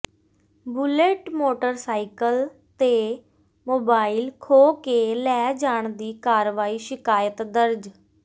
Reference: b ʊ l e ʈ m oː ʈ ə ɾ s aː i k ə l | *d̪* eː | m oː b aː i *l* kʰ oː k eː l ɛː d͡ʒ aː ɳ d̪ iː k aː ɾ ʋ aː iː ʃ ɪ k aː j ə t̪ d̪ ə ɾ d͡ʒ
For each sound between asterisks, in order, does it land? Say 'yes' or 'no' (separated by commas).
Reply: no, yes